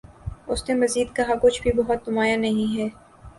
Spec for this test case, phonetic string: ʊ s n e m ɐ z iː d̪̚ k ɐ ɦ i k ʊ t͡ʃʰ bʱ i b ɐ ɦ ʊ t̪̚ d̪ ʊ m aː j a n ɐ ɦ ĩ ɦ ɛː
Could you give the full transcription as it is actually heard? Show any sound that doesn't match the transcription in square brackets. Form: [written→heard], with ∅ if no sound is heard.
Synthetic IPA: ʊ s n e m ɐ z iː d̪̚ k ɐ ɦ [i→a] k ʊ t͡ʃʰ bʱ i b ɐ ɦ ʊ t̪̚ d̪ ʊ m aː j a n ɐ ɦ ĩ ɦ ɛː